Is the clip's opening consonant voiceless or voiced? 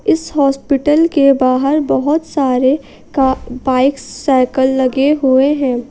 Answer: voiceless